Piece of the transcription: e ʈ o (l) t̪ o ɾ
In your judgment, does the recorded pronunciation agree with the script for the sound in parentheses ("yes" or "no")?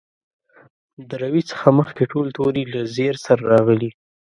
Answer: yes